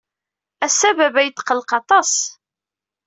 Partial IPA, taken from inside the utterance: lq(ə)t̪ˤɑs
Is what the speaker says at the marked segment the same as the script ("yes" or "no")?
no